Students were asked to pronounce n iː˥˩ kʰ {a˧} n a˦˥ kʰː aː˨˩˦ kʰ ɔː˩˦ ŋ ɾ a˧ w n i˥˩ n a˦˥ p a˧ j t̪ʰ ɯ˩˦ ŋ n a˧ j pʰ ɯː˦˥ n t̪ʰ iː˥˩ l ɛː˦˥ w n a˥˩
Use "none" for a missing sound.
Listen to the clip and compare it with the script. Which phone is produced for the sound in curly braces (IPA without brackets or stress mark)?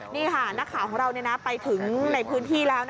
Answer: a˥˩